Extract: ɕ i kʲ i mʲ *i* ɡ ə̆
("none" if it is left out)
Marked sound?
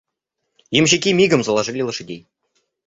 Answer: i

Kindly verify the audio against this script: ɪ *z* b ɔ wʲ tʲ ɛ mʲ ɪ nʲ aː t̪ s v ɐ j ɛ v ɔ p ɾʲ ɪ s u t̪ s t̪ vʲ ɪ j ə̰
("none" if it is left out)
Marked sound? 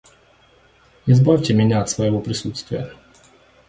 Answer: z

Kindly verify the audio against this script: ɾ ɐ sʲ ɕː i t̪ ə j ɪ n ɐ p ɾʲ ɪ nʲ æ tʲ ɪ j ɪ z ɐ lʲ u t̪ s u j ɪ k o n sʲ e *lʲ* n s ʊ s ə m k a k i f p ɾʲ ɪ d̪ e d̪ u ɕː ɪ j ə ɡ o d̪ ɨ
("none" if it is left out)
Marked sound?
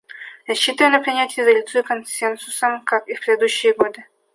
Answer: none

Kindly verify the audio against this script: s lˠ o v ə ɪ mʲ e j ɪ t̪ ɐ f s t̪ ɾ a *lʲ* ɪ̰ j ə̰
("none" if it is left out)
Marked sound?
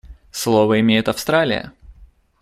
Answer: lʲ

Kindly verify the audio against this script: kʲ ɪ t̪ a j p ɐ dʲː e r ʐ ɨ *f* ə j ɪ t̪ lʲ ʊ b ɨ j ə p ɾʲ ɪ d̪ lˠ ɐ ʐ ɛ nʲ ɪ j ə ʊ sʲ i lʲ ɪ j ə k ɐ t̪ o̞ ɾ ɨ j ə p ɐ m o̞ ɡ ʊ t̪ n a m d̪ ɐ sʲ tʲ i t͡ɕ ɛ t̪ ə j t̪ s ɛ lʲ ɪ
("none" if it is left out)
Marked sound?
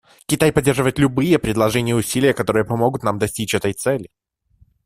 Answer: v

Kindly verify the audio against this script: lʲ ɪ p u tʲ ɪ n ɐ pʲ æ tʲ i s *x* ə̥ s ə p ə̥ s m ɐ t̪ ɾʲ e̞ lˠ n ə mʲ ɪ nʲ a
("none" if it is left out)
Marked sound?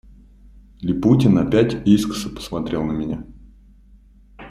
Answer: k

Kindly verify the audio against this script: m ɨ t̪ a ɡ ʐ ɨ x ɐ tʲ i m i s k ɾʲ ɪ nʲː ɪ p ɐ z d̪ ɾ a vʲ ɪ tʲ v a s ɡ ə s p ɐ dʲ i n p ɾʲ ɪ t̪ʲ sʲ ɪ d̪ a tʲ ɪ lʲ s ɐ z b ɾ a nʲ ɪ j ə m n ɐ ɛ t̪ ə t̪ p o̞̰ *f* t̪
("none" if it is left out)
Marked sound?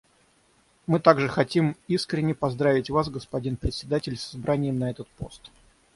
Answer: s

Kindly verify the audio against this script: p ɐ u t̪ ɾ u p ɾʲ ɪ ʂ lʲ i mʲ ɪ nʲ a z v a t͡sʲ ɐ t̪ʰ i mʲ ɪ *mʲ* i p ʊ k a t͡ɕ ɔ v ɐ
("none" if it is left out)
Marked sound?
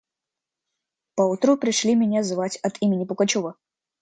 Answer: nʲ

